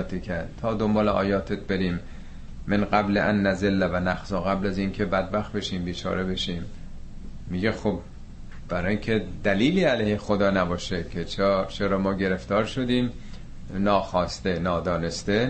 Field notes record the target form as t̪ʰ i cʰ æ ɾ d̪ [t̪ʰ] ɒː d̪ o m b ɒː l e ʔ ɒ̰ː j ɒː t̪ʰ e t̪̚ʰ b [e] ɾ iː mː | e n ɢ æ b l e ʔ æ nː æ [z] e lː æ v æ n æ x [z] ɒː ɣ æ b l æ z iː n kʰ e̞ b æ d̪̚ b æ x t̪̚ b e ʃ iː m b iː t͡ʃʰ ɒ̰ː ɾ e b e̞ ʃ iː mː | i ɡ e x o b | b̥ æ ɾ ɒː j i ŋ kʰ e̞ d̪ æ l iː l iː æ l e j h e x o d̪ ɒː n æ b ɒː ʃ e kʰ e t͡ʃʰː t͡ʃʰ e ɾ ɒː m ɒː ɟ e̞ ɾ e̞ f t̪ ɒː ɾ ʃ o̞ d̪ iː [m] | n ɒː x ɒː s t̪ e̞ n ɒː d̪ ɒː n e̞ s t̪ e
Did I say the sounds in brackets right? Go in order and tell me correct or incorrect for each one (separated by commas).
correct, correct, correct, correct, correct